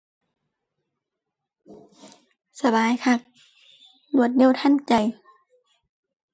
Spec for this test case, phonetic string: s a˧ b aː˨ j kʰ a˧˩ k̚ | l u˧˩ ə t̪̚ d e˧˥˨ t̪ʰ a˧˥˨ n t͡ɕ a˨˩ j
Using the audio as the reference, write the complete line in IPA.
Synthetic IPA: s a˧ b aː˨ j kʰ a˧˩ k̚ | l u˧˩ ə t̪̚ n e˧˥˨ t̪ʰ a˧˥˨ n t͡ɕ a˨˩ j